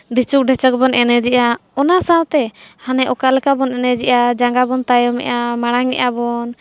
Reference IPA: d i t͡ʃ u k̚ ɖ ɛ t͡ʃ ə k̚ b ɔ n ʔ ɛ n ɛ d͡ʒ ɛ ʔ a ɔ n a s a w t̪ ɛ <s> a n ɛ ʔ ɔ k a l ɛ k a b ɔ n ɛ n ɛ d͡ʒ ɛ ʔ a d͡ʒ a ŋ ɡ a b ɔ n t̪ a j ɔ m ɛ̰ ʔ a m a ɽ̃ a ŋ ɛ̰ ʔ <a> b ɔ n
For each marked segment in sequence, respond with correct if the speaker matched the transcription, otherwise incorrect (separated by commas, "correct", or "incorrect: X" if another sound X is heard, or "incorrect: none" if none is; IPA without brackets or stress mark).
incorrect: h, correct